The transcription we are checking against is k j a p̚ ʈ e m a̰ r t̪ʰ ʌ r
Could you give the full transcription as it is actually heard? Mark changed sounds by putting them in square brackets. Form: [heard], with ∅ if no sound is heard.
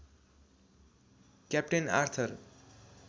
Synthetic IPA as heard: k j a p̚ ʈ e [n] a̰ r t̪ʰ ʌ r